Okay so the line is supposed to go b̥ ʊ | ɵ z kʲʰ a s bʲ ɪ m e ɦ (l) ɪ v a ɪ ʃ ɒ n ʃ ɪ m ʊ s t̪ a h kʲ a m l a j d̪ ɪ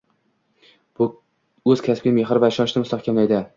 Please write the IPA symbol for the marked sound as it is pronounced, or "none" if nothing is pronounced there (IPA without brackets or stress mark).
ɾ